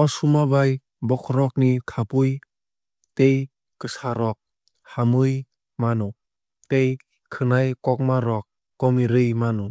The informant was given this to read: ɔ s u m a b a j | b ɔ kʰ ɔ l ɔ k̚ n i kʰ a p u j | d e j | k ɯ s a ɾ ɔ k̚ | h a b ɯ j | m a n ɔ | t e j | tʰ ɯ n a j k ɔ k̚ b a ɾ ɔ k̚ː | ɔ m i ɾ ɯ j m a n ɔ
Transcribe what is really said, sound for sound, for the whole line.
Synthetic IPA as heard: ɔ s u m a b a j | b ɔ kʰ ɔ ɾ ɔ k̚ n i kʰ a p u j | t e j | k ɯ s a ɾ ɔ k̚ | h a m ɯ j | m a n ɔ | t e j | kʰ ɯ n a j k ɔ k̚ m a ɾ ɔ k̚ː | ɔ m i ɾ ɯ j m a n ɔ